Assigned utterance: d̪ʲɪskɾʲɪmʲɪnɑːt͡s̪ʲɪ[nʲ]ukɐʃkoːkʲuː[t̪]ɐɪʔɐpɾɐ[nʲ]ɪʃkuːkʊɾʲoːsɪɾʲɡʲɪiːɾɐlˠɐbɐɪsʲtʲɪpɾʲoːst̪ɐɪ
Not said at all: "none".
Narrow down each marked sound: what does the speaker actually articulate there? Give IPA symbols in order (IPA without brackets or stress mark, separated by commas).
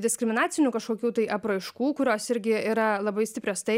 nʲ, t̪, none